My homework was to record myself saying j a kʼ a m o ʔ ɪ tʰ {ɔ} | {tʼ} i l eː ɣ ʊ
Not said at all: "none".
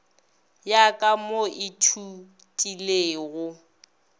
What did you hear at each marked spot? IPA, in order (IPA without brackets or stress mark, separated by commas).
u, tʼ